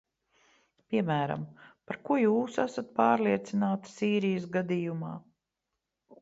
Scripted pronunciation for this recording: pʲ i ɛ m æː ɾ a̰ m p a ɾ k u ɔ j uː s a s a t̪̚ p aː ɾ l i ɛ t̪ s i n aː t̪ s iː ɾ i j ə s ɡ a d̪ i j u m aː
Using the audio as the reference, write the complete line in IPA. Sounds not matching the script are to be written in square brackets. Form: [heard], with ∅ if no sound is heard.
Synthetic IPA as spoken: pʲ i ɛ m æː ɾ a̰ m p a ɾ k u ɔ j uː s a s a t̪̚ p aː ɾ l i ɛ t̪ s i n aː t̪ s iː ɾ i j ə s ɡ a d̪ i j u m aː